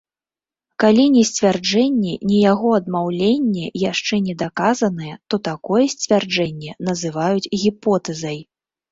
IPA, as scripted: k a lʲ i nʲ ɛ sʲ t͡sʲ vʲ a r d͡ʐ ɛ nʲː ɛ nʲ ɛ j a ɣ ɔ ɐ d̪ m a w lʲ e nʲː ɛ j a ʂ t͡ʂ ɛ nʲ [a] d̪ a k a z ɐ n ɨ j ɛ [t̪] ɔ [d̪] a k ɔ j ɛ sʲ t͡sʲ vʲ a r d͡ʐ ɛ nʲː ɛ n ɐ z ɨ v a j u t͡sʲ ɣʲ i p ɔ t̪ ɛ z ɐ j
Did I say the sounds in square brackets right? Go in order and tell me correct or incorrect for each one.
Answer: incorrect, correct, incorrect

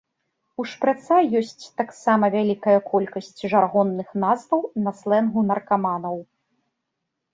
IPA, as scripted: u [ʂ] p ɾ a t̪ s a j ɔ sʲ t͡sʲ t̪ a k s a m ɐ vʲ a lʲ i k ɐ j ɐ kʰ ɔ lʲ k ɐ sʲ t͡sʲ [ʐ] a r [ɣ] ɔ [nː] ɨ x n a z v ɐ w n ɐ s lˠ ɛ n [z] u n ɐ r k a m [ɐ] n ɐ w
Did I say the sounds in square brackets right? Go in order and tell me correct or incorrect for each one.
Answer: correct, correct, correct, correct, incorrect, incorrect

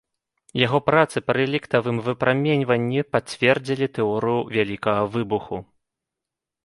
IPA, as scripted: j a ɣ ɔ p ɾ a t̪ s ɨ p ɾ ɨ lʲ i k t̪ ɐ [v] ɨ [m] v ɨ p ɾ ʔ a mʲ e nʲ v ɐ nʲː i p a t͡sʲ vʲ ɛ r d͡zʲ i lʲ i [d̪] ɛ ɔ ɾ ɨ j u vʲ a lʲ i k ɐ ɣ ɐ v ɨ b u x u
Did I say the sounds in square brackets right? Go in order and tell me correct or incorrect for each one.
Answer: correct, correct, incorrect

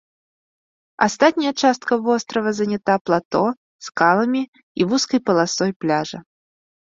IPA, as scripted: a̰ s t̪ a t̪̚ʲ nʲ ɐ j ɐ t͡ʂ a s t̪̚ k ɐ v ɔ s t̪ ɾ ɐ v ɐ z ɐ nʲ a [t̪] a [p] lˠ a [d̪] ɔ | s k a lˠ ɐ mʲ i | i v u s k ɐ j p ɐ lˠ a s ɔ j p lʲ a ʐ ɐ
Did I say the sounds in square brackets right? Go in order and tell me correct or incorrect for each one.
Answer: correct, correct, incorrect

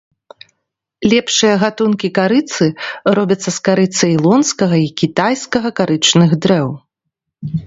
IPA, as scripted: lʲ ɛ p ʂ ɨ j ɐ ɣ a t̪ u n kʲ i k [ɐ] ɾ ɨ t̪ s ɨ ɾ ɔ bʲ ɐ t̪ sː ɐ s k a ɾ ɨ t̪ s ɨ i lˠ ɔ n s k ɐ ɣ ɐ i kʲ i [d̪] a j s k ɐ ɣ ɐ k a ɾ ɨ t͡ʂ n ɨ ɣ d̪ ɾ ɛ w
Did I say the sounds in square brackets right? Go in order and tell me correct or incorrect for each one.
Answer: incorrect, incorrect

